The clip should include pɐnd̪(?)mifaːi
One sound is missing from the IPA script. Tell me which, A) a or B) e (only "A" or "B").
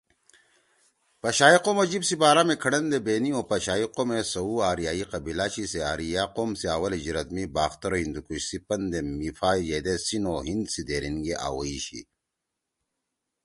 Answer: B